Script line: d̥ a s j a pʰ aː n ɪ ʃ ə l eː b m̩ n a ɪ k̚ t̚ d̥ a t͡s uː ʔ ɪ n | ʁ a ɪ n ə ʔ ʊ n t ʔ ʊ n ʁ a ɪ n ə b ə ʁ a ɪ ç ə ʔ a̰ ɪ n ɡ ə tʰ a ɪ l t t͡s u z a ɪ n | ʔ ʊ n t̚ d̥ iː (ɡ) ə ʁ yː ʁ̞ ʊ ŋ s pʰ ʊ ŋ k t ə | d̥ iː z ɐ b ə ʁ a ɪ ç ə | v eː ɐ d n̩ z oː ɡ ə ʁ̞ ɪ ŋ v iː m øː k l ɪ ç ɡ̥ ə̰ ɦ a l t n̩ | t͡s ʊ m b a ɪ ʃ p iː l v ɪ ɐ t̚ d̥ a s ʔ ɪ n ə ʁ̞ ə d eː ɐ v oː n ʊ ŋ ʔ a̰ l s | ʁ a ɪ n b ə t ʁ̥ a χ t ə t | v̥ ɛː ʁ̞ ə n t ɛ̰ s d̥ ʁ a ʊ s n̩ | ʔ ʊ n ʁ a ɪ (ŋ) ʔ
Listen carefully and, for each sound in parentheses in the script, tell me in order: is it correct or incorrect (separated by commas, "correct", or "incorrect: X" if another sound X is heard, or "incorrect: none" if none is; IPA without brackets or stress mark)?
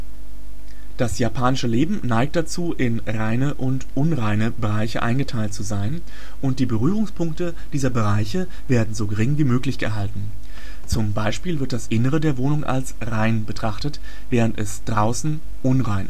incorrect: b, incorrect: n